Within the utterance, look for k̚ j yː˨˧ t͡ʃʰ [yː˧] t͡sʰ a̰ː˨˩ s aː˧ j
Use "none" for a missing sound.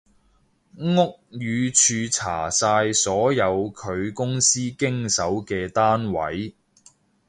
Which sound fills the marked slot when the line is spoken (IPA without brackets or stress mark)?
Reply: yː˧